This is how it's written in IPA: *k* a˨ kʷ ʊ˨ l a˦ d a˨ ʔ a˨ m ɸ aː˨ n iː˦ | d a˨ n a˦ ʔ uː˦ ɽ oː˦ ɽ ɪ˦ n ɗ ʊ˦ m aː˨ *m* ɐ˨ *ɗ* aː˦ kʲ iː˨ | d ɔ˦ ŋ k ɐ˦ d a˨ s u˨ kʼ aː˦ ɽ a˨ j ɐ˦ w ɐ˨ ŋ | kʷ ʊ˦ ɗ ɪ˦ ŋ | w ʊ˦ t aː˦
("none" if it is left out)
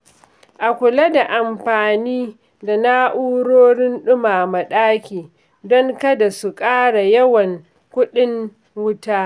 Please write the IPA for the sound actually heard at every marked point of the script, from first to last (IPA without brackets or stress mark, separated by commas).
ʔ, m, ɗ